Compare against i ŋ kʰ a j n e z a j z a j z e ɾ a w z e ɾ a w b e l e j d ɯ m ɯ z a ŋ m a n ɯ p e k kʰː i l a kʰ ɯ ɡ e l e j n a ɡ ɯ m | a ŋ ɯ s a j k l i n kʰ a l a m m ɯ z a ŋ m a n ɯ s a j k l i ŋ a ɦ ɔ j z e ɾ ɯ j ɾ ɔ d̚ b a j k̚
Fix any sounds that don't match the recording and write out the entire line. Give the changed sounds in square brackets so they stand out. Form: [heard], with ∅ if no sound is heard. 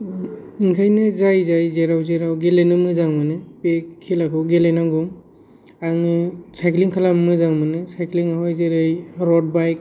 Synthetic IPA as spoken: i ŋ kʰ a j n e z a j z a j z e ɾ a w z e ɾ a w [ɡ] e l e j [n] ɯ m ɯ z a ŋ m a n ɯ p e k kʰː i l a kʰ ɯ ɡ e l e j n a ɡ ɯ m | a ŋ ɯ s a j k l i [ŋ] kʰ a l a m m ɯ z a ŋ m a n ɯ s a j k l i ŋ a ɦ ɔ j z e ɾ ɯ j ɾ ɔ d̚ b a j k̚